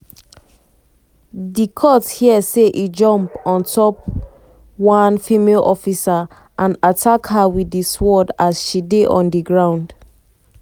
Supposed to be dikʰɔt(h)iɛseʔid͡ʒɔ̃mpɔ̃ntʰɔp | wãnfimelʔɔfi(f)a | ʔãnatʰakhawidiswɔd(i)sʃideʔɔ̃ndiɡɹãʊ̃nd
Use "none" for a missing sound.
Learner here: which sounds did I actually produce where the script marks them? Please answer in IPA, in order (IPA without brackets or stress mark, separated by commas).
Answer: h, s, a